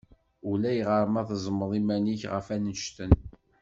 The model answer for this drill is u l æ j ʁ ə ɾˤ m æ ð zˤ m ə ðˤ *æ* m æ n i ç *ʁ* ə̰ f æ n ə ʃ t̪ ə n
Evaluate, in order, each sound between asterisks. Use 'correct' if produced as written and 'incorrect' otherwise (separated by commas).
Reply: incorrect, correct